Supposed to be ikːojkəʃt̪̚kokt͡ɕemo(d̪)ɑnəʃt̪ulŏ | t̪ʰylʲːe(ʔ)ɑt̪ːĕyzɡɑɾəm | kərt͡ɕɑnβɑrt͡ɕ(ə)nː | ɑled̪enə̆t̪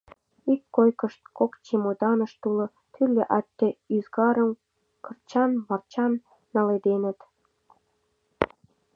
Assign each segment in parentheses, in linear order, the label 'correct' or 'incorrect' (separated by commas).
correct, correct, incorrect